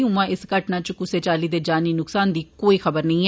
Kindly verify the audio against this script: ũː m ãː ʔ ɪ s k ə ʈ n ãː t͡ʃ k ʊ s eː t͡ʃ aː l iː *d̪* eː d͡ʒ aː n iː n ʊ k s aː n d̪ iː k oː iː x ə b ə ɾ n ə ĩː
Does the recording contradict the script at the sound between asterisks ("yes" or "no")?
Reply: no